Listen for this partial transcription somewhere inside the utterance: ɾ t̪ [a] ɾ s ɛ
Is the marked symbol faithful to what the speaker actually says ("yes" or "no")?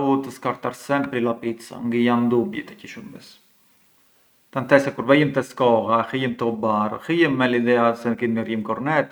yes